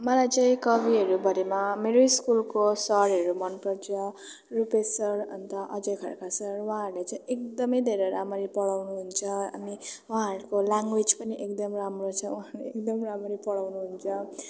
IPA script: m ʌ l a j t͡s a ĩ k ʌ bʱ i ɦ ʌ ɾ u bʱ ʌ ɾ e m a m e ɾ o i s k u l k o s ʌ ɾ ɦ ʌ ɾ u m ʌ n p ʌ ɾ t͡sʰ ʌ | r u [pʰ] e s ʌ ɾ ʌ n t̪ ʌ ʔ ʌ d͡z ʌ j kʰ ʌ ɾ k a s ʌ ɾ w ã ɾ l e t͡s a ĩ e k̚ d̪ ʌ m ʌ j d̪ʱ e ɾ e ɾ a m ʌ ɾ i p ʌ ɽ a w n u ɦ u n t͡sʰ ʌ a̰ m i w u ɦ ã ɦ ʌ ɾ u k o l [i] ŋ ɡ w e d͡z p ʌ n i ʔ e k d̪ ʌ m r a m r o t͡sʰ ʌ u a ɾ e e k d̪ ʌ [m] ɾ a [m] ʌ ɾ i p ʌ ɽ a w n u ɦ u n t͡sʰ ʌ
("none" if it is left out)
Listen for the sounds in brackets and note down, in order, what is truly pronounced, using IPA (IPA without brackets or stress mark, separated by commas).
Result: p, a, m, m